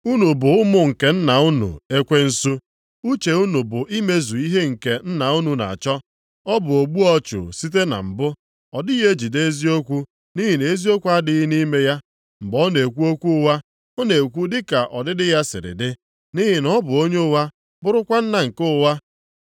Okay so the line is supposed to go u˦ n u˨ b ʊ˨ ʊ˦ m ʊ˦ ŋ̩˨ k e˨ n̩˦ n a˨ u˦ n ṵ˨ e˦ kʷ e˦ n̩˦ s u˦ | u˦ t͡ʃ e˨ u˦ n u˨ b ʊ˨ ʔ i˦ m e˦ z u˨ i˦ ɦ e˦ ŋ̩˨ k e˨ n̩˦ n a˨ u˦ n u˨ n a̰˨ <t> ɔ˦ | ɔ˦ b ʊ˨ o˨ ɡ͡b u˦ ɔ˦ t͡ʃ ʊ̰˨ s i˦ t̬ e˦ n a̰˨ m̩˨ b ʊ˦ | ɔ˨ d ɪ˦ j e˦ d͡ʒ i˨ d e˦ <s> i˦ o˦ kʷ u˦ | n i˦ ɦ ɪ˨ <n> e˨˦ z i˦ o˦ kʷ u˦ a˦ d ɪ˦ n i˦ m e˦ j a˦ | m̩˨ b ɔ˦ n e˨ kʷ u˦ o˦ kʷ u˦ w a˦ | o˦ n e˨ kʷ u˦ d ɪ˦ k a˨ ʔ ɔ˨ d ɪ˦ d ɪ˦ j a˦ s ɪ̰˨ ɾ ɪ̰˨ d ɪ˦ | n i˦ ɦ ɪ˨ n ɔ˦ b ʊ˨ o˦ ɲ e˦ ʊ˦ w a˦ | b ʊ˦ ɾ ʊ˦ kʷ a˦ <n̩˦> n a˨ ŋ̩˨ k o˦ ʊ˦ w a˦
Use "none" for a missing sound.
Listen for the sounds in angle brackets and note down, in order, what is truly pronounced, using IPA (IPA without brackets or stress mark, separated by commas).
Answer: t͡ʃ, z, n, n̩˦